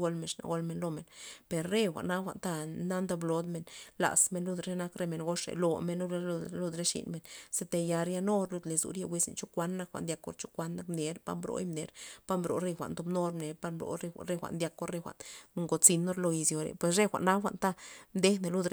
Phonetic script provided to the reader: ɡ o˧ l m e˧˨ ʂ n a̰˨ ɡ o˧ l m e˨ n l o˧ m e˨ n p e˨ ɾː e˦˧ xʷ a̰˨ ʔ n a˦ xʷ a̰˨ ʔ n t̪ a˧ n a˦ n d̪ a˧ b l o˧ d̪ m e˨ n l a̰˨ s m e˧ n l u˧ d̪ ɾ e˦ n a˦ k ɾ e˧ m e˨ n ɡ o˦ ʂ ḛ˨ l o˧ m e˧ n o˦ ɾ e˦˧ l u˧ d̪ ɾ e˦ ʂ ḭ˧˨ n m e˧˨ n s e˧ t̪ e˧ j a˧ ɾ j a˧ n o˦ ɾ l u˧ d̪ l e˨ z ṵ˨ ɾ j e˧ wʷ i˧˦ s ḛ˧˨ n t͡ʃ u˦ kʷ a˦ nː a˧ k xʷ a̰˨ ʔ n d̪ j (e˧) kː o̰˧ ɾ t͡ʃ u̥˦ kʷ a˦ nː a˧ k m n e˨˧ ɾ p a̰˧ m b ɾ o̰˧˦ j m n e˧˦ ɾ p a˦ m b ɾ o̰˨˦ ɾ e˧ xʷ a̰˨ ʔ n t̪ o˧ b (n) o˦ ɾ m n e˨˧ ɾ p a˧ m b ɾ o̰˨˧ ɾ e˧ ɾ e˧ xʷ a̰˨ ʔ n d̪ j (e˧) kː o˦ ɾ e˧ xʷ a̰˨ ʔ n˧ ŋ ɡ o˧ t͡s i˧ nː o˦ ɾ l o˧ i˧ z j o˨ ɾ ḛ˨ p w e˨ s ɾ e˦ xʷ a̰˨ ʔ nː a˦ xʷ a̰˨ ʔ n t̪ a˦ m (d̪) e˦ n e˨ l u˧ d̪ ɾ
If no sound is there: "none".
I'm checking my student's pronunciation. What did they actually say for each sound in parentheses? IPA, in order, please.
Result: a˧, n, a˧, d̪

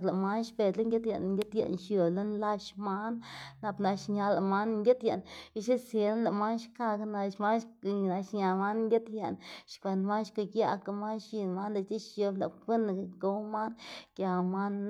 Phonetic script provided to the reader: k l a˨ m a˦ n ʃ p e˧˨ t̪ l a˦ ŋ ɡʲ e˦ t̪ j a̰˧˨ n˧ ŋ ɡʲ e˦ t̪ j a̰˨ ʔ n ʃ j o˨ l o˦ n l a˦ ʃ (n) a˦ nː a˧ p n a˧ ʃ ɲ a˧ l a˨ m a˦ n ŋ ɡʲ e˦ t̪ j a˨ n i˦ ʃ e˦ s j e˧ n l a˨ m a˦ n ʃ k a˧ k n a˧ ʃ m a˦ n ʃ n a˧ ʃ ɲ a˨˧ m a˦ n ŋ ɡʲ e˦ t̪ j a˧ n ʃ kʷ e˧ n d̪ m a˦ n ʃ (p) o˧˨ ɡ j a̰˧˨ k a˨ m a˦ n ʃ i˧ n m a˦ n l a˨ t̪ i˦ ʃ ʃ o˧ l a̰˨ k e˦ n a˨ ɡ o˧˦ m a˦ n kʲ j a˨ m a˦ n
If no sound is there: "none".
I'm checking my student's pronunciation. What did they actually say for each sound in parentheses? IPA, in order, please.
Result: m, k

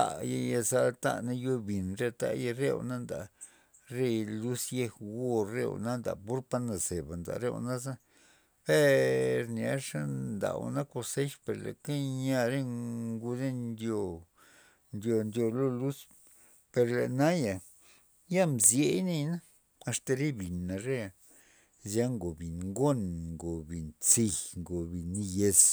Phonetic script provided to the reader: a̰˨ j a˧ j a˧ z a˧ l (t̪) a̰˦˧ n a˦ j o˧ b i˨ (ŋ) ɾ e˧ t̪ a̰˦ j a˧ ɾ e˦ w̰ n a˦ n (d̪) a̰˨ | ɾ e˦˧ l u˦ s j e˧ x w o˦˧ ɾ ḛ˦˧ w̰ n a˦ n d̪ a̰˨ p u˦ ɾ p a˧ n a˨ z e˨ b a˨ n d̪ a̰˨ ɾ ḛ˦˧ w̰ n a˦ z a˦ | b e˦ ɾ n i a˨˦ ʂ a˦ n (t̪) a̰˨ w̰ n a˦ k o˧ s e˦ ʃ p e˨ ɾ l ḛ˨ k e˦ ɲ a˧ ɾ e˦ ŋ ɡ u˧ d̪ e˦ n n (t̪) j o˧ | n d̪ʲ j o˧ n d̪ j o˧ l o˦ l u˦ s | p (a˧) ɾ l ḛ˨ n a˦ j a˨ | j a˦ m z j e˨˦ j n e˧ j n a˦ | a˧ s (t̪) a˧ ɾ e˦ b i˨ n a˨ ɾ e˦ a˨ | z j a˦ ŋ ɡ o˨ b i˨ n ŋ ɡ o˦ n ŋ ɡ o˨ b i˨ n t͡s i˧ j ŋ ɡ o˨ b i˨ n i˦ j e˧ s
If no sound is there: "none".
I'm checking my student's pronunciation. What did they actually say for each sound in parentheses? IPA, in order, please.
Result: t̪, n, d̪, d̪, d̪, e˧, t̪

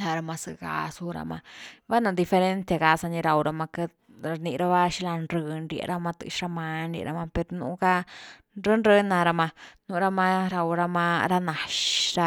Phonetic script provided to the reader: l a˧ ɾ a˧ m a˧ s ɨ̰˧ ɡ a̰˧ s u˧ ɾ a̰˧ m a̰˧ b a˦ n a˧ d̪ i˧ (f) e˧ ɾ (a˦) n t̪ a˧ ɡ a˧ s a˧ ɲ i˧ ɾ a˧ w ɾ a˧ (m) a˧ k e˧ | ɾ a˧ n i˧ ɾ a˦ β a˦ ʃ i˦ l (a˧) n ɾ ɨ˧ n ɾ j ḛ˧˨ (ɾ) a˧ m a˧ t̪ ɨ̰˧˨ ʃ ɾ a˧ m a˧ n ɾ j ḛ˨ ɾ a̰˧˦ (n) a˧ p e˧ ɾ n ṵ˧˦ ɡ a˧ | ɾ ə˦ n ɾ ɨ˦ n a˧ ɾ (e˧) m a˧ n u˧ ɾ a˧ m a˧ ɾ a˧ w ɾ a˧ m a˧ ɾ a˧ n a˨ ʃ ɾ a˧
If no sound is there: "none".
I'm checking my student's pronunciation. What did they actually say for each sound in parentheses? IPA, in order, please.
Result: f, e˦, m, a˧, ɾ, m, a˧

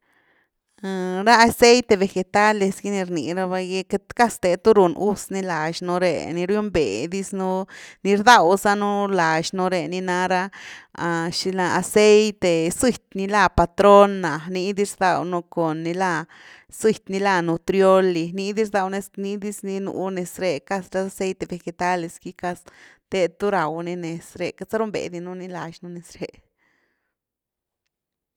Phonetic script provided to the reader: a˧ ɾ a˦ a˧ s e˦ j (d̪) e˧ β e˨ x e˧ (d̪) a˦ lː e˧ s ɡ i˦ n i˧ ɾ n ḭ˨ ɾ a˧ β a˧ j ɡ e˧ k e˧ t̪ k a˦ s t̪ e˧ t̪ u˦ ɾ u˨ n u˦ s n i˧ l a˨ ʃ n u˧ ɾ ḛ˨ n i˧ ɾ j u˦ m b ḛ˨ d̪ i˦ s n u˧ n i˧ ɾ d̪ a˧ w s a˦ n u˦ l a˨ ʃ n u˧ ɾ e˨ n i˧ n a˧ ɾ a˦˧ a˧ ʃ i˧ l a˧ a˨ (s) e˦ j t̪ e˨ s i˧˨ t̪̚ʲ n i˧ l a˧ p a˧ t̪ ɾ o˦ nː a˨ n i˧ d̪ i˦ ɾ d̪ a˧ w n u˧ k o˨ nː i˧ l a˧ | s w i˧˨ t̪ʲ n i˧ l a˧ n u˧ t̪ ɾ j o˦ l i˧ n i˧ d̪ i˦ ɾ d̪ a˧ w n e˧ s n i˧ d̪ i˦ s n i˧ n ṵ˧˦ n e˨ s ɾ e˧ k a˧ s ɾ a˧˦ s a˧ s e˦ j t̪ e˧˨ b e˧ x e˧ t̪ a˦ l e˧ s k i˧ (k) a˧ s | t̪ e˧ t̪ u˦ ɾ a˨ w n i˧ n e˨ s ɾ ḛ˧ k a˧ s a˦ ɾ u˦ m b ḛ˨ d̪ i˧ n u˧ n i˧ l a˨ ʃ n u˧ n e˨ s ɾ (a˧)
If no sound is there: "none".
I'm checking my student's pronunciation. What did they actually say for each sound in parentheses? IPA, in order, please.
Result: t̪, t̪, s, k, e˧

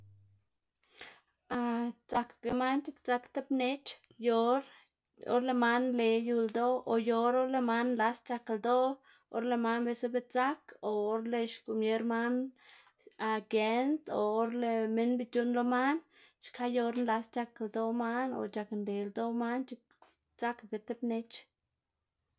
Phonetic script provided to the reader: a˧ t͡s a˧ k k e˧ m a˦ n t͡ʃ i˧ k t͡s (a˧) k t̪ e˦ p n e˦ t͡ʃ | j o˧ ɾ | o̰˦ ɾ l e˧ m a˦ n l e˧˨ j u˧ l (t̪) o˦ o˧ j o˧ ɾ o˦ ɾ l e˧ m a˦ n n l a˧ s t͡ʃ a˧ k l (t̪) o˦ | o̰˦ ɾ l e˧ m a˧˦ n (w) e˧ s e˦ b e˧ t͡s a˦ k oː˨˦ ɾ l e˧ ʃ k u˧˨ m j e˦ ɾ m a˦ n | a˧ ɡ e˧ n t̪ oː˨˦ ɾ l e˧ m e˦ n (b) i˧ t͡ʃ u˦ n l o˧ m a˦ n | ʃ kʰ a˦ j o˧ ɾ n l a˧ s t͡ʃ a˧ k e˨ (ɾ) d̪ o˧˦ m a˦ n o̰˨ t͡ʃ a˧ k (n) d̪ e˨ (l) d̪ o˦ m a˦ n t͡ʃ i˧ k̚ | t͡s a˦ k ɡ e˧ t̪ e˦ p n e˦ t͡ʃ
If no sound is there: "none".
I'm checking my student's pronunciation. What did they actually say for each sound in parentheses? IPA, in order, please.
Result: a˧, d̪, d̪, b, b, l, n, l

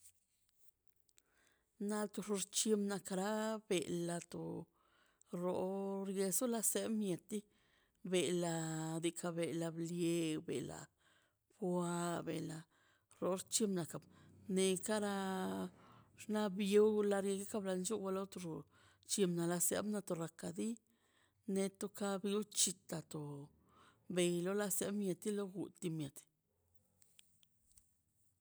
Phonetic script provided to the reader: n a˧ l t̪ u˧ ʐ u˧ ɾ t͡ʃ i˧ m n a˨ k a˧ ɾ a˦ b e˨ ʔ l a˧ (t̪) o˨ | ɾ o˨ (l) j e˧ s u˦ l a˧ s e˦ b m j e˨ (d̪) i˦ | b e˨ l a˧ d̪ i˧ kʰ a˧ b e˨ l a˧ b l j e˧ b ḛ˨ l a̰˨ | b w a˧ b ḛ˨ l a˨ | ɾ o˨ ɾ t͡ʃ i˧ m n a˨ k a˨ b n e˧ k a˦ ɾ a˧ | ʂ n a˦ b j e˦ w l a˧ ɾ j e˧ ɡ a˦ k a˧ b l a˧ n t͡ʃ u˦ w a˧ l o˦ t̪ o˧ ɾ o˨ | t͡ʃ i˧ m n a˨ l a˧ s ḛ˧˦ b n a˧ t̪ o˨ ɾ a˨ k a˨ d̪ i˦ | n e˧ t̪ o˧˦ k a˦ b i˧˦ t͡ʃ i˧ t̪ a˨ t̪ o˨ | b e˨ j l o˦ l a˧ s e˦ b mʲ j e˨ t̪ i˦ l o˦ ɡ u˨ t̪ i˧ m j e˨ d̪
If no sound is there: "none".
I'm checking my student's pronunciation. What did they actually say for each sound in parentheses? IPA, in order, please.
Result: t̪, ɾ, t̪

